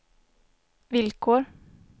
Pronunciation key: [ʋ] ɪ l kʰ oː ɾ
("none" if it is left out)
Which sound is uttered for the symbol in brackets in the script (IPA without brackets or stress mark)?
ʋ